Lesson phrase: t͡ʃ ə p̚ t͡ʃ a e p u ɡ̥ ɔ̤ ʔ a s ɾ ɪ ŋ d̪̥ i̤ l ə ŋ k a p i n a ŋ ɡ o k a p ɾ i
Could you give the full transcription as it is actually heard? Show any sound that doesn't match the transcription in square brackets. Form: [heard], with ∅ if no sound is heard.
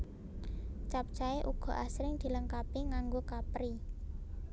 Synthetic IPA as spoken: t͡ʃ [a] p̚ t͡ʃ a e [ʔ] u ɡ̥ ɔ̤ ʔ a s ɾ ɪ ŋ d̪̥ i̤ l ə ŋ k a p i [ŋ] a ŋ ɡ o k a p ɾ i